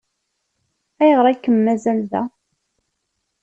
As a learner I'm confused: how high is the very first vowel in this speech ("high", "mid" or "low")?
low